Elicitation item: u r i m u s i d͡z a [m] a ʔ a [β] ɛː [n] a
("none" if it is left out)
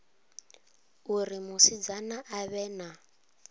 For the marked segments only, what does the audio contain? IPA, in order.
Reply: n, β, n

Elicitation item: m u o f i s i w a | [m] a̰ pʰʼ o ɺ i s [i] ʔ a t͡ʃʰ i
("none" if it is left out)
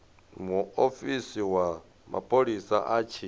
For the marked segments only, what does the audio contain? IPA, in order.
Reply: m, a

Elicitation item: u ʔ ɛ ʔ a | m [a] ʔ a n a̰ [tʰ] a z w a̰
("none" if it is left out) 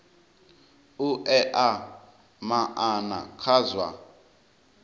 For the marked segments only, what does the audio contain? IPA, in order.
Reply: a, kʰ

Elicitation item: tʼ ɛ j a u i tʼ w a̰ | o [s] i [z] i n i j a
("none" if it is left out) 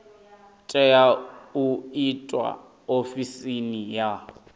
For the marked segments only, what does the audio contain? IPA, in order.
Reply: f, s

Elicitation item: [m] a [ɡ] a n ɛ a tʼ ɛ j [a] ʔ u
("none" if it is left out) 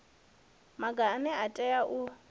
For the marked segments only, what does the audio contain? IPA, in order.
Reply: m, ɡ, a

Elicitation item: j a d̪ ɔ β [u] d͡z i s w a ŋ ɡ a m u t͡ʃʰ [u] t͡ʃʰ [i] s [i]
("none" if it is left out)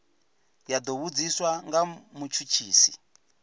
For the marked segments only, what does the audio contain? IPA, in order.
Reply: u, u, iː, i

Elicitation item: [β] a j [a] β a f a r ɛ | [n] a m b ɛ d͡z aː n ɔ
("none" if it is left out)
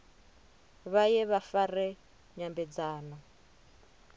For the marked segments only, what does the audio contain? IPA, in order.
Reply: β, ɛ, ɲ

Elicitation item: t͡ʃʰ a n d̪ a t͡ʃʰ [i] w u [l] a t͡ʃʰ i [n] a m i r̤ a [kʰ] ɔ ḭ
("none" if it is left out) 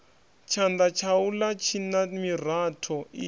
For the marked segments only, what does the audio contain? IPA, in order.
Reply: a, l, n, tʰ

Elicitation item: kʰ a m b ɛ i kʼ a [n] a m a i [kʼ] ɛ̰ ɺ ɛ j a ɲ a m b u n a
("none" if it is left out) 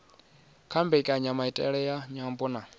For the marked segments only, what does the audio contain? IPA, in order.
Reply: ɲ, tʼ

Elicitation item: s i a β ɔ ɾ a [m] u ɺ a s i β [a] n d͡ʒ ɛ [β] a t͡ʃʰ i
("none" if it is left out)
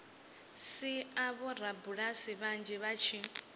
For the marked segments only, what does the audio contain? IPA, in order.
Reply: b, a, β

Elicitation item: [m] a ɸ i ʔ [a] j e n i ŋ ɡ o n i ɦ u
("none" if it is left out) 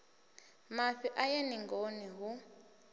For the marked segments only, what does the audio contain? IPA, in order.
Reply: m, a

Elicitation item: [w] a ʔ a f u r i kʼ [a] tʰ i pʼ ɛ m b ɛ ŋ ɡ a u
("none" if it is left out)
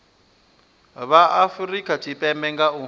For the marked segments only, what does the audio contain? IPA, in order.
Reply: β, a

